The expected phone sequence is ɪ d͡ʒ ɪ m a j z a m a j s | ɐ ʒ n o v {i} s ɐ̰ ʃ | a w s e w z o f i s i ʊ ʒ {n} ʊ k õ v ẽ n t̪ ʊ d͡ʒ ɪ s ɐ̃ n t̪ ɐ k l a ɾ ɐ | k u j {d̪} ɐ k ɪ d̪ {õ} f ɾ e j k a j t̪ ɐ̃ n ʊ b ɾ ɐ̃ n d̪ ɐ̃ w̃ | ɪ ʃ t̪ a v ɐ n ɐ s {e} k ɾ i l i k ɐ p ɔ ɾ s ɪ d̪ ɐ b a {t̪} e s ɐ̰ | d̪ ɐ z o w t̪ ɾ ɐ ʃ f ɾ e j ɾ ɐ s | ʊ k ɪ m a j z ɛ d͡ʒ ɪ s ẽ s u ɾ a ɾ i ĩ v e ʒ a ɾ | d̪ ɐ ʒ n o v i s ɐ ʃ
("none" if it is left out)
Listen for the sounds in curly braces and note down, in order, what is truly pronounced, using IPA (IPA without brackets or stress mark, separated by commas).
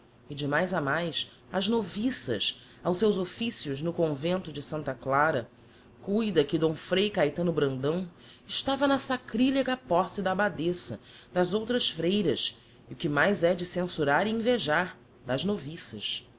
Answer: i, n, d̪, õ, a, d̪